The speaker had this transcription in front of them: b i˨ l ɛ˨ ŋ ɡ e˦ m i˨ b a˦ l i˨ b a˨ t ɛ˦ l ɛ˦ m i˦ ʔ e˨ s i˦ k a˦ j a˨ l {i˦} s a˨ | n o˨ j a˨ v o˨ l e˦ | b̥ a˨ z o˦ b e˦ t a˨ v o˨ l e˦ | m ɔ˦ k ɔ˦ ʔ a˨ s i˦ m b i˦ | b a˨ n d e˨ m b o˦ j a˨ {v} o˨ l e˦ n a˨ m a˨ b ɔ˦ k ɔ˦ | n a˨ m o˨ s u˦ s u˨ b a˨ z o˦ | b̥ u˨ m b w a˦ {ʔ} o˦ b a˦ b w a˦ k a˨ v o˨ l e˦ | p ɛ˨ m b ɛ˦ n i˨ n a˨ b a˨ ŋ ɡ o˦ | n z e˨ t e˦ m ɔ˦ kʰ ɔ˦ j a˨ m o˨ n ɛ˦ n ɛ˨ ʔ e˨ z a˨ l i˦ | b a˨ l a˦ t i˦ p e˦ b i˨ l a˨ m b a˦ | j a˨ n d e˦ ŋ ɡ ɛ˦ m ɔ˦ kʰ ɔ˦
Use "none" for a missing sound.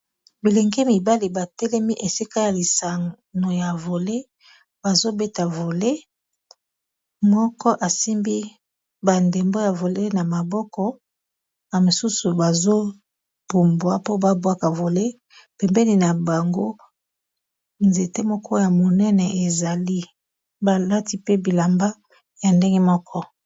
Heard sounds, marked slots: i˨, v, p

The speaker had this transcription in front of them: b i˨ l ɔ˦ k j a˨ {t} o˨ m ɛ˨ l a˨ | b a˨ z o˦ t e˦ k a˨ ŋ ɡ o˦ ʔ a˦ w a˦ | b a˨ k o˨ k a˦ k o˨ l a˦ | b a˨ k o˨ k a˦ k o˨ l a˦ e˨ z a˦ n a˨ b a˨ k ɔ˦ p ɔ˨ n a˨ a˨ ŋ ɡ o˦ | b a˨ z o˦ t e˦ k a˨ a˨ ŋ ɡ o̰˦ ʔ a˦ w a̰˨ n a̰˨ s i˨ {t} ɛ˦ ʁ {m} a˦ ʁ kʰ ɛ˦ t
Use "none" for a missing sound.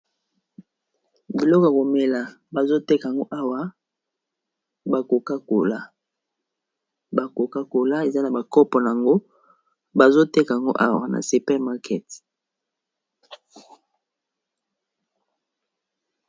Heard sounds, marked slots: k, p, m

